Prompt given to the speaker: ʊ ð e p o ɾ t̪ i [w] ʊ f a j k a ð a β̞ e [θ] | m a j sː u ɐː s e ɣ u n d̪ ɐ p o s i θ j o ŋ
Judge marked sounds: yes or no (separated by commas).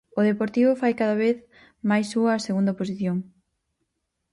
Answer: no, yes